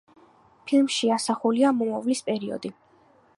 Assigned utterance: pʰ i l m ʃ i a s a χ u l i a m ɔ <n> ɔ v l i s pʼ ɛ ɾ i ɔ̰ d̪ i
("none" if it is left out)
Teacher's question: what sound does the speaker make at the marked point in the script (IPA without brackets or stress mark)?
m